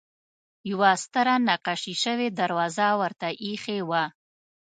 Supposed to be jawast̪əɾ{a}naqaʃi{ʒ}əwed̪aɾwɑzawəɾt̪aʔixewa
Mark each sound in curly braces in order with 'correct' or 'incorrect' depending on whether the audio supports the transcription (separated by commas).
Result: correct, incorrect